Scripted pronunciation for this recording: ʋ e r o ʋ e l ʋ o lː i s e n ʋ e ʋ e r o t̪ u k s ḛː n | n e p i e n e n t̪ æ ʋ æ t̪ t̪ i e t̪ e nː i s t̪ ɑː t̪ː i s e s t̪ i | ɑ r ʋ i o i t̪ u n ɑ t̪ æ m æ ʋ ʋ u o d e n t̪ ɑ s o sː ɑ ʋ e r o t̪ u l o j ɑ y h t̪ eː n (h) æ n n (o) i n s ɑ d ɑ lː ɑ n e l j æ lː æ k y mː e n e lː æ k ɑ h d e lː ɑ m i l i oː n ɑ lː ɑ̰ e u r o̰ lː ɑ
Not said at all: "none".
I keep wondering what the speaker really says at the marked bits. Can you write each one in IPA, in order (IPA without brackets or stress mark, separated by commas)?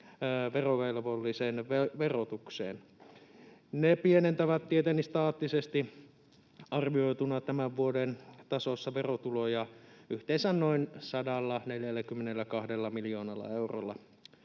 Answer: s, o